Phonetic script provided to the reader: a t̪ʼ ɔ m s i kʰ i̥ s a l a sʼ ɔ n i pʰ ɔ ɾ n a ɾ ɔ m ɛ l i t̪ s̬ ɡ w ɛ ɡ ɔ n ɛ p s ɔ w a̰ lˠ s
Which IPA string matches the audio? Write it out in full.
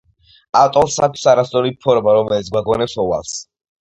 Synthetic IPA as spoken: a t̪ʼ ɔ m s a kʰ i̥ s a ɾ a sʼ ɔ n i pʰ ɔ ɾ m a ɾ ɔ m ɛ l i t̪ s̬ ɡ w a ɡ ɔ n ɛ p s ɔ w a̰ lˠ s